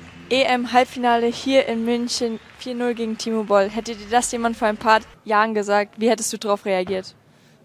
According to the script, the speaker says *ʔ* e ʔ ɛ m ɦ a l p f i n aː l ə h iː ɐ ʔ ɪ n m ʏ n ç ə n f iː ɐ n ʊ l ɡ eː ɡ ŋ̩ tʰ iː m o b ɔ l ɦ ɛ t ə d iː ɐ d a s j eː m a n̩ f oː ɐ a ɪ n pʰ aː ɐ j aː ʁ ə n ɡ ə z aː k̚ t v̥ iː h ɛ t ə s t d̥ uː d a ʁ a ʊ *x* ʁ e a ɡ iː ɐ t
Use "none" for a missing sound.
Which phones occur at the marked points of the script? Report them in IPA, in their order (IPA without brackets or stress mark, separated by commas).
ʔ, f